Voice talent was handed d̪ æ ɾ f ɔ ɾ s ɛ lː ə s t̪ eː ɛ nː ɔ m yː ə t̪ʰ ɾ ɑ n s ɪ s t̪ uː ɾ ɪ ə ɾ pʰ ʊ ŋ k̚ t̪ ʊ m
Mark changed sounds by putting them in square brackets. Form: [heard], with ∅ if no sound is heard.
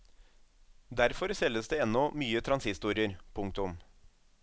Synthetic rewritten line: d̪ æ ɾ f ɔ ɾ s ɛ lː ə s [d̪] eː ɛ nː ɔ m yː ə t̪ʰ ɾ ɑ n s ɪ s t̪ uː ɾ ɪ ə ɾ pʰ ʊ ŋ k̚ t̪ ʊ m